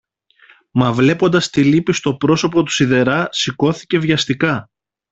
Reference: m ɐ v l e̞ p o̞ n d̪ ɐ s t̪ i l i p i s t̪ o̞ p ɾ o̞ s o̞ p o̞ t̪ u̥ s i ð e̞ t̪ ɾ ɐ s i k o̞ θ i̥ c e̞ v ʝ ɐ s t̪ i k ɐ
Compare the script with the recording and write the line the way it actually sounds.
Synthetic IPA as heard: m ɐ v l e̞ p o̞ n d̪ ɐ s t̪ i l i p i s t̪ o̞ p ɾ o̞ s o̞ p o̞ t̪ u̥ s i ð e̞ ɾ ɐ s i k o̞ θ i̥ c e̞ v ʝ ɐ s t̪ i k ɐ